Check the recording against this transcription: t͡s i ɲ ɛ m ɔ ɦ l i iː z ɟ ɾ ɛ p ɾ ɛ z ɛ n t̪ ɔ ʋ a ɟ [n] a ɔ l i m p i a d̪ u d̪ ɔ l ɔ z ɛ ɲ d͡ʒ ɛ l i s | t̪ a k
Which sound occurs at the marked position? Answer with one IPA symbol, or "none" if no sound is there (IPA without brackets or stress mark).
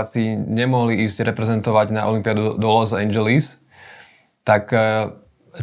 n